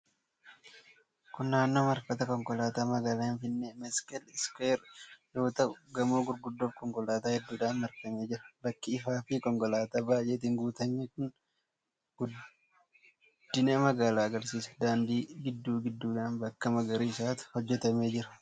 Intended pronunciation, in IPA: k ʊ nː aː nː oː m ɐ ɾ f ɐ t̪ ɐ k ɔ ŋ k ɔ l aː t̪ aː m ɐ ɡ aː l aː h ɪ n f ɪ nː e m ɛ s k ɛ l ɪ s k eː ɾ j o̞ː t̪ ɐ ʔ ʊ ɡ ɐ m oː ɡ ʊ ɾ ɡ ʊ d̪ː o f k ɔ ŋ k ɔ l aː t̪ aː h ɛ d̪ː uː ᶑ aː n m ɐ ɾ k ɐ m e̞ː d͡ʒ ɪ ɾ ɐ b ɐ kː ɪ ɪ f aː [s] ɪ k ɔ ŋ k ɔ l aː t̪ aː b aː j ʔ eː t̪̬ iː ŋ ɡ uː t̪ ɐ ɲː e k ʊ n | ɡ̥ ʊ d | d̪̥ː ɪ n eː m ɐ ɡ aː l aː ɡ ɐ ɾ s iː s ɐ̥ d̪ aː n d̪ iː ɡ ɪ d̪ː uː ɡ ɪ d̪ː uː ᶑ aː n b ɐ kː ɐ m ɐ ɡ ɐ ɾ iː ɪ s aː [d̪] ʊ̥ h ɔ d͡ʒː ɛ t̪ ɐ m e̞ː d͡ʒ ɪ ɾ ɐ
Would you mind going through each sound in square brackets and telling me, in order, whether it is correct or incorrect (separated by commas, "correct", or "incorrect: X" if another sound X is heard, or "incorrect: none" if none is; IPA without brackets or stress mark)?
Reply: incorrect: f, incorrect: t̪